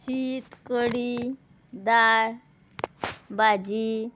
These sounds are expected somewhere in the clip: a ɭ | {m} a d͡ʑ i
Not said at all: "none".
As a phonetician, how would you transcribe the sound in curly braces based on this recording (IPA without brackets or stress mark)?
b